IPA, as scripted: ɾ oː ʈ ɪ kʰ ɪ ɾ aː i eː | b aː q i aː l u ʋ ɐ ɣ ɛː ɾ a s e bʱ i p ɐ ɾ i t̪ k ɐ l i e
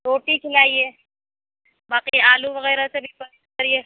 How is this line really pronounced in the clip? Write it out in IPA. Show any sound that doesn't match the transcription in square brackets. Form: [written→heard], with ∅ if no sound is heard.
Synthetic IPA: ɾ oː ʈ [ɪ→i] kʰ ɪ [ɾ→l] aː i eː | b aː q i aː l u ʋ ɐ ɣ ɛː ɾ a s e bʱ i p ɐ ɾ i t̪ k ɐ [l→ɾ] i e